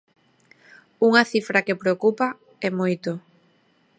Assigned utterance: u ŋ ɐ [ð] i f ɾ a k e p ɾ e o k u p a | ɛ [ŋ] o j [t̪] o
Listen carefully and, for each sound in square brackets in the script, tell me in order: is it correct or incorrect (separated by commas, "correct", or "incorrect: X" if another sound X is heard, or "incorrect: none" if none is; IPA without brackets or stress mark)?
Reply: incorrect: θ, incorrect: m, correct